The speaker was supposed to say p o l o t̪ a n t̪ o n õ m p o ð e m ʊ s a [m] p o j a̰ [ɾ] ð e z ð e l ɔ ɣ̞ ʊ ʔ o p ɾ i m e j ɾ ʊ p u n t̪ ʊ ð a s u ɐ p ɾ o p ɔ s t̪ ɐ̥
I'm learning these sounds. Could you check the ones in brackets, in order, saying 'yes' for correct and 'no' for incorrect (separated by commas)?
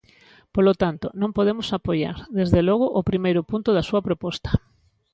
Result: no, yes